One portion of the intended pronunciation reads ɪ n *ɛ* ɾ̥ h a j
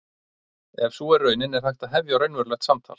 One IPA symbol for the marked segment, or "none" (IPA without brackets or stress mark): ɛ